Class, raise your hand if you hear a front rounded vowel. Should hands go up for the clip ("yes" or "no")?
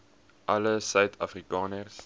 yes